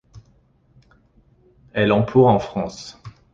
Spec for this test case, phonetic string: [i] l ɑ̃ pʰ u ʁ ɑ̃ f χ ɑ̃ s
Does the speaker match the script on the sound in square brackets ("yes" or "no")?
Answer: no